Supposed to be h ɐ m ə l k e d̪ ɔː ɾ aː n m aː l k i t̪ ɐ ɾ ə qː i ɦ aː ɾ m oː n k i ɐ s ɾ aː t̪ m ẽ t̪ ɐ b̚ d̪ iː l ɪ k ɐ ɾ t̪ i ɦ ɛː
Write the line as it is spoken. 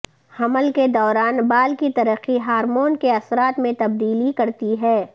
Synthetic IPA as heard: h ɐ m ə l k e d̪ ɔː ɾ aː n b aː l k i t̪ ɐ ɾ ə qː i ɦ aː ɾ m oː n k e ɐ s ɾ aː t̪ m ẽ t̪ ɐ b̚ d̪ iː l i k ɐ ɾ t̪ i ɦ ɛː